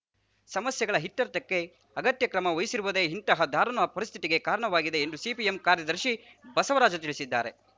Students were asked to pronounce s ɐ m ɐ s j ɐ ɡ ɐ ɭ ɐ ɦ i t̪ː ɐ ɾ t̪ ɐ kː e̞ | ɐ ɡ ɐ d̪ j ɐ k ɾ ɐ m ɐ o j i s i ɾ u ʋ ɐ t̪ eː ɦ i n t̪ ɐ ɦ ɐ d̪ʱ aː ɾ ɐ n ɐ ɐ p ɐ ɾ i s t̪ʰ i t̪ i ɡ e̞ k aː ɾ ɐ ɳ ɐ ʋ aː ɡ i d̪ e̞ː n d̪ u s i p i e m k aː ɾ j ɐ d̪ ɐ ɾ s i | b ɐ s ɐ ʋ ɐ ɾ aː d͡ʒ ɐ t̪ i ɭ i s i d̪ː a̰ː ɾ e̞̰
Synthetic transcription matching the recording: s ɐ m ɐ s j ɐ ɡ ɐ ɭ ɐ ɦ i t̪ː ɐ ɾ t̪ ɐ kː e̞ | ɐ ɡ ɐ t̪ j ɐ k ɾ ɐ m ɐ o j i s i ɾ u ʋ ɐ d̪ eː ɦ i n t̪ ɐ ɦ ɐ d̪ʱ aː ɾ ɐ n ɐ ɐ p ɐ ɾ i s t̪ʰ i t̪ i ɡ e̞ k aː ɾ ɐ ɳ ɐ ʋ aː ɡ i d̪ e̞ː n d̪ u s i p i e m k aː ɾ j ɐ d̪ ɐ ɾ ʃ i | b ɐ s ɐ ʋ ɐ ɾ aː d͡ʒ ɐ t̪ i ɭ i s i d̪ː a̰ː ɾ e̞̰